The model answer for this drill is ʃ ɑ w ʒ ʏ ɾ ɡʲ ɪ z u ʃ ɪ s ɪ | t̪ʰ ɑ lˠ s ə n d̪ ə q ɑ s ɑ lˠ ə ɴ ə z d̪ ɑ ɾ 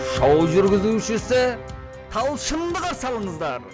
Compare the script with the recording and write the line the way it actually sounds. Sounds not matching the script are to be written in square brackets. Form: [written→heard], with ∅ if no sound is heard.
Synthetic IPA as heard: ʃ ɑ w ʒ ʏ ɾ ɡʲ ɪ z u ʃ ɪ s ɪ | t̪ʰ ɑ lˠ [s→ʃ] ə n d̪ ə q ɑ s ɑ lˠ ə ɴ ə z d̪ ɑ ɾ